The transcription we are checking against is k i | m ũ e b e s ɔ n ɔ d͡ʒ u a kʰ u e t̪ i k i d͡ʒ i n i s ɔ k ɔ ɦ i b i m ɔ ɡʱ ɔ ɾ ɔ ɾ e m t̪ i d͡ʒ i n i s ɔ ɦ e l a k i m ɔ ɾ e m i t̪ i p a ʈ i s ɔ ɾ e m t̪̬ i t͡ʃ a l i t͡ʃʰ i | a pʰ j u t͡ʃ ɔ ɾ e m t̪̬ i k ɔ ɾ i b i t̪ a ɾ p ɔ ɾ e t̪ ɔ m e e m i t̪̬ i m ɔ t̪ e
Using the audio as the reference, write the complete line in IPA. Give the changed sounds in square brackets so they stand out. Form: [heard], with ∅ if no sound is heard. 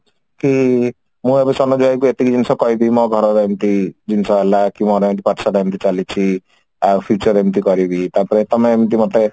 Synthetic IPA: k i | m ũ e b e s ɔ n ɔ d͡ʒ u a [k] u e t̪ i k i d͡ʒ i n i s ɔ k ɔ ɦ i b i m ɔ ɡʱ ɔ ɾ ɔ ɾ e m t̪ i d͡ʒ i n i s ɔ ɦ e l a k i m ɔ ɾ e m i t̪ i p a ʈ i s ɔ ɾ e m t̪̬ i t͡ʃ a l i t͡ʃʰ i | a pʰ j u t͡ʃ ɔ ɾ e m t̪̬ i k ɔ ɾ i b i t̪ a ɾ p ɔ ɾ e t̪ ɔ m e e m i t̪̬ i m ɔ t̪ e